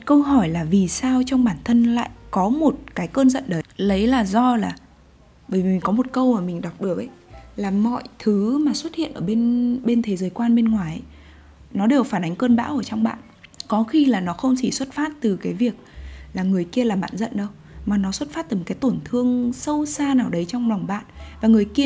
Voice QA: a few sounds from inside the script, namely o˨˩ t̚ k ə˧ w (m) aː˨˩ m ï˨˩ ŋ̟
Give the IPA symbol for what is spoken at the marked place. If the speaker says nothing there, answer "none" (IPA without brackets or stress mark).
m